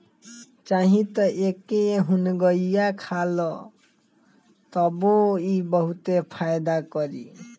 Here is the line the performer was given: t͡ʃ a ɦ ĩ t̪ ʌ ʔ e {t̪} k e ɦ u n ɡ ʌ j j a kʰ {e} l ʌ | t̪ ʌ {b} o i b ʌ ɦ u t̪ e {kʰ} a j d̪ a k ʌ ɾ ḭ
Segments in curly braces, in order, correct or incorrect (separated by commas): incorrect, incorrect, correct, incorrect